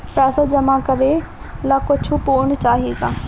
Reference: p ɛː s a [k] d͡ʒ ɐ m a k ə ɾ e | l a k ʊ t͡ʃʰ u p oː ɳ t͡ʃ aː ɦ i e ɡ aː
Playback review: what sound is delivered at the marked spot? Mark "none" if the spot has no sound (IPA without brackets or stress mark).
none